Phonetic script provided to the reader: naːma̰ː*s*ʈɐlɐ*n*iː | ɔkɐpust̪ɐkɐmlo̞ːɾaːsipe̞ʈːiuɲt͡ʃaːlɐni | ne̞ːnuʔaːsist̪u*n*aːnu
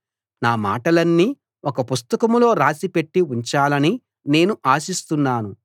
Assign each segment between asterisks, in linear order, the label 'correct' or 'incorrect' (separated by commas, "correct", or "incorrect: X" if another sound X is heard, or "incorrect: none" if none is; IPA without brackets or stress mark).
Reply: incorrect: none, incorrect: nː, incorrect: nː